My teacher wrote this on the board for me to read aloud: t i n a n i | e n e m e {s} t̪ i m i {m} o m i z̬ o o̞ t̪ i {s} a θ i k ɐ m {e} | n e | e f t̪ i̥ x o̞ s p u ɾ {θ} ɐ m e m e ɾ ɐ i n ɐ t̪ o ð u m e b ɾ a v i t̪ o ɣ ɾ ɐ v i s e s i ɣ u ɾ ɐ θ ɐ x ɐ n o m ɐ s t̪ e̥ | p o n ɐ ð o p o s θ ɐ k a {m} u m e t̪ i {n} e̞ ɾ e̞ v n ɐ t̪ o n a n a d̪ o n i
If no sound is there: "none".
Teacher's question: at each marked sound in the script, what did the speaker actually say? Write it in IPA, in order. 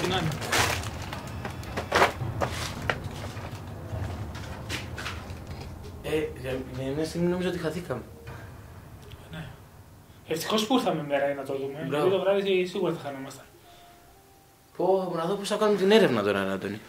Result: s, n, x, e, θ, n, n

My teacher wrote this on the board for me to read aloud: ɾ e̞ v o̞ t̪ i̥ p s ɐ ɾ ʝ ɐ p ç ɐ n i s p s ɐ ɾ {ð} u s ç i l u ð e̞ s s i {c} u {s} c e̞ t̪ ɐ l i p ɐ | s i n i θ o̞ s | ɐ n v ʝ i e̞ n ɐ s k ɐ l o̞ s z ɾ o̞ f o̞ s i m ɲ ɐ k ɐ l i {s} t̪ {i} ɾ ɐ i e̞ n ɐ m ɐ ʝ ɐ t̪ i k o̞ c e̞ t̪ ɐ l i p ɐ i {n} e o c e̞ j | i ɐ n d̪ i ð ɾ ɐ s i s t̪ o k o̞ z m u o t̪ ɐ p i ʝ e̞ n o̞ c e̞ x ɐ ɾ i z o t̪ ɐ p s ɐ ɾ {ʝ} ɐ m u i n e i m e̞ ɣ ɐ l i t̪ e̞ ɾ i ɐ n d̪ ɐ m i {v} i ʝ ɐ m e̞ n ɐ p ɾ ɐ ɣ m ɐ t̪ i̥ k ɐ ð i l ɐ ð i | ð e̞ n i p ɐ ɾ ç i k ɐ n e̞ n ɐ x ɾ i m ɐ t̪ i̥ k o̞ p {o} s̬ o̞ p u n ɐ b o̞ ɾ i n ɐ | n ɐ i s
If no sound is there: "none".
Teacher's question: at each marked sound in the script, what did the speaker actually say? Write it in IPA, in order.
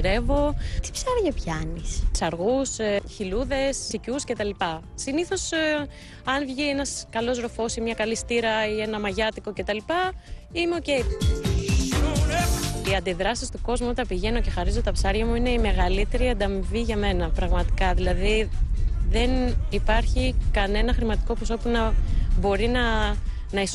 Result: ɣ, c, s, s, i, m, ʝ, v, o

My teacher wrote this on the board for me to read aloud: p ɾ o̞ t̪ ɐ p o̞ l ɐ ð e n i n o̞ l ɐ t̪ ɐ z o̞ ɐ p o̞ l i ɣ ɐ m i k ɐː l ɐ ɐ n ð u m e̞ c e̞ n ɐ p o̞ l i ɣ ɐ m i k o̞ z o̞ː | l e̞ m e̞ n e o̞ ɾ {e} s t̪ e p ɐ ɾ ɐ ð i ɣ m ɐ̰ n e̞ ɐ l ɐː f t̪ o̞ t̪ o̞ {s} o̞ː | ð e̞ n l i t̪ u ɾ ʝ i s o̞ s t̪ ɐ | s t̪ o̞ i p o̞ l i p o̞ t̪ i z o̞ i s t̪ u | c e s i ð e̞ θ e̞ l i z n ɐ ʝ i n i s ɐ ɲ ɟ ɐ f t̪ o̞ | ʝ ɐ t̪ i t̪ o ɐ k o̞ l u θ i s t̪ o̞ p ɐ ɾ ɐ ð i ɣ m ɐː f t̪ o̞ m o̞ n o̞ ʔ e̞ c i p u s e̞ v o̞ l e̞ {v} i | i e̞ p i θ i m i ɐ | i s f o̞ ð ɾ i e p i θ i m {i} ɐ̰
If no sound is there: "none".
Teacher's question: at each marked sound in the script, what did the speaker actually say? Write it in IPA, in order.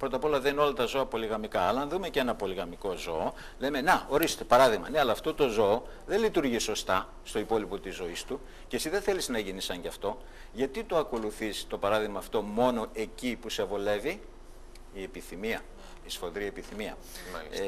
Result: i, z, v, i

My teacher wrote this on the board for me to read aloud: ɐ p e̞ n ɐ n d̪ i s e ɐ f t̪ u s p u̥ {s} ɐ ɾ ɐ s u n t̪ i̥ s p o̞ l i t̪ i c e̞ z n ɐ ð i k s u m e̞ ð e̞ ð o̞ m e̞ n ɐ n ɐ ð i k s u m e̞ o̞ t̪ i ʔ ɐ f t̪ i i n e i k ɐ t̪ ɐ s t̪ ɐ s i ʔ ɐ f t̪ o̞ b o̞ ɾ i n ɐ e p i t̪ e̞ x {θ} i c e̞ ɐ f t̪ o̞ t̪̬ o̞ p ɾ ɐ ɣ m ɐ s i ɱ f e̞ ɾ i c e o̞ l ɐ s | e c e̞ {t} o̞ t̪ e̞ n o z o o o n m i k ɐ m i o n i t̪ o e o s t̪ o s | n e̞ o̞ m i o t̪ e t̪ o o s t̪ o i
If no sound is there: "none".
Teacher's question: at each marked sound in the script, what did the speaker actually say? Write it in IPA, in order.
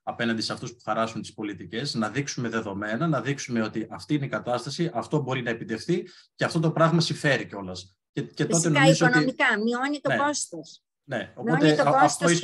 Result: x, θ, t

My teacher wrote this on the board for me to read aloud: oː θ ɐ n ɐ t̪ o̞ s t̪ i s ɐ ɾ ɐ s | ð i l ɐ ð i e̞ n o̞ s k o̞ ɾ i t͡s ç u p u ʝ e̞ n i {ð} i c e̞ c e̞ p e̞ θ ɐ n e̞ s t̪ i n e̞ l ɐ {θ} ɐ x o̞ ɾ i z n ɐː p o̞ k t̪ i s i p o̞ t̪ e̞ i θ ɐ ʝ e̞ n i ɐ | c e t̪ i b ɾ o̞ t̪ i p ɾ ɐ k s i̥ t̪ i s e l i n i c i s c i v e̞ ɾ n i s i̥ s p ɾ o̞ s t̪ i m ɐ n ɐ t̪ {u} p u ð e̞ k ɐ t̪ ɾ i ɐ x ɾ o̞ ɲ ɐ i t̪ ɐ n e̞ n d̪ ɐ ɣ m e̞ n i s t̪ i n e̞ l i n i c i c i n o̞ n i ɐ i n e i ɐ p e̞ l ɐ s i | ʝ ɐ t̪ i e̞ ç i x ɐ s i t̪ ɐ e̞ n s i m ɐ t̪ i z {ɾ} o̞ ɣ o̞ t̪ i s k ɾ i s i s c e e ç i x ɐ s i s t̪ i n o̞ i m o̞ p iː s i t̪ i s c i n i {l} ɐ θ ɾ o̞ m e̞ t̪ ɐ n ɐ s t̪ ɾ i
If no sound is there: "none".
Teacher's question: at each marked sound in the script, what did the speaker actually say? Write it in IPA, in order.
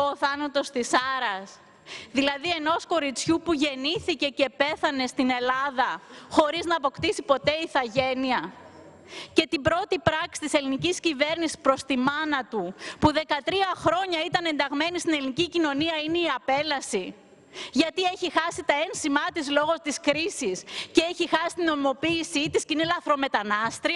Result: θ, ð, u, l, l

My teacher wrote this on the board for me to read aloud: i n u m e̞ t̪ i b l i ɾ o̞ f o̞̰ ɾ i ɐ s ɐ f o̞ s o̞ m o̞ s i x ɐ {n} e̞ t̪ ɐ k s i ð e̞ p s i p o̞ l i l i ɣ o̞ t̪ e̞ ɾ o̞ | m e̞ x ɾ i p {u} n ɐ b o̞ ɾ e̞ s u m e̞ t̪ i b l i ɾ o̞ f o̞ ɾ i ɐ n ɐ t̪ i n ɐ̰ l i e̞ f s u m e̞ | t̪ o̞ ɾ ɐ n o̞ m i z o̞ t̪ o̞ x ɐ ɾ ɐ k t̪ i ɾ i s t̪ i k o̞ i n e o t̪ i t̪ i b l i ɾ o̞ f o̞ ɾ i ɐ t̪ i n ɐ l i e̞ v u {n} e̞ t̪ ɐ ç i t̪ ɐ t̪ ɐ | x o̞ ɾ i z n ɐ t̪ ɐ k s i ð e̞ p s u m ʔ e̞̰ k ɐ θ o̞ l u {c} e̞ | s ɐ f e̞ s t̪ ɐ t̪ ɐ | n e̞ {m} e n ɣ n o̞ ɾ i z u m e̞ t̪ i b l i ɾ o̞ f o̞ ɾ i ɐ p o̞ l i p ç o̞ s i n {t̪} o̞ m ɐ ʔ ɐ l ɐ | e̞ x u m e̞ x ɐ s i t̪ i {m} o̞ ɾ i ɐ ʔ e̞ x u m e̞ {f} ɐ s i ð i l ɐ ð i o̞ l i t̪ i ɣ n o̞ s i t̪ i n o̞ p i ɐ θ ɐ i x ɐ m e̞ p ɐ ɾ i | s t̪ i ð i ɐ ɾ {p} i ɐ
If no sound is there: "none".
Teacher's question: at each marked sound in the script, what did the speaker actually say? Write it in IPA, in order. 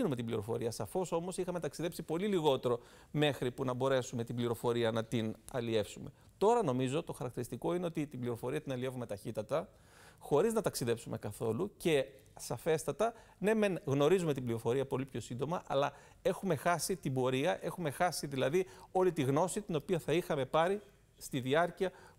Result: m, u, m, c, m, d̪, b, x, c

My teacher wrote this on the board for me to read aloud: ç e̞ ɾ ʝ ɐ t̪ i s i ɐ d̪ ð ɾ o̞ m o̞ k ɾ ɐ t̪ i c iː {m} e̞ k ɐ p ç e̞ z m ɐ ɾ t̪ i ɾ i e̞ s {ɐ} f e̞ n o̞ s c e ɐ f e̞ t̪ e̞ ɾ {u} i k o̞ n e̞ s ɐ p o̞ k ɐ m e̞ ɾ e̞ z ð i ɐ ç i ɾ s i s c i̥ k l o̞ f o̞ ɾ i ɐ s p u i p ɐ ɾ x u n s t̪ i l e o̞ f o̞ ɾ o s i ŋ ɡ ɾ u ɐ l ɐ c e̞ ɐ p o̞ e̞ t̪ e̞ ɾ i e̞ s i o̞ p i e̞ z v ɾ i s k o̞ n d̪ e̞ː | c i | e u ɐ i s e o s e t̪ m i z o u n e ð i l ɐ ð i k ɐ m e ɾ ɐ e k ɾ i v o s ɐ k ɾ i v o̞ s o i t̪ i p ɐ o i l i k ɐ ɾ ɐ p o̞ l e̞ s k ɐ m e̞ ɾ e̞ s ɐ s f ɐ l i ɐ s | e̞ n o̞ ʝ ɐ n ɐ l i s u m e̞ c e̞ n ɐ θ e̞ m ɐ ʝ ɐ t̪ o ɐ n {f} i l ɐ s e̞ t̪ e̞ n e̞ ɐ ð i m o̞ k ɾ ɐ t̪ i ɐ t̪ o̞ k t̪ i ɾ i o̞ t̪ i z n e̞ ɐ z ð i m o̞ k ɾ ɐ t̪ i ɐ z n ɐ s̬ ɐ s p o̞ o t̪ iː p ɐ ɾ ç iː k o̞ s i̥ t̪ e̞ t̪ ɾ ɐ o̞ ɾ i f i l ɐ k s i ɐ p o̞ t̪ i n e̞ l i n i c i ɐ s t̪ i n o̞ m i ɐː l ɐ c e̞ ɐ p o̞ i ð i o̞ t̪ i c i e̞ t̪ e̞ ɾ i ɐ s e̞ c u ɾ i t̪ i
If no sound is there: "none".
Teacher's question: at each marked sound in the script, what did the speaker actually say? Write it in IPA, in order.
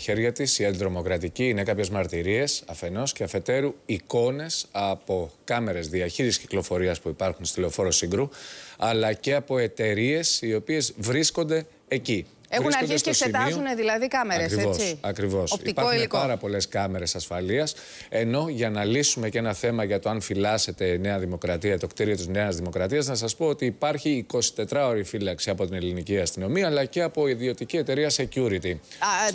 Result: n, ɐ, u, f

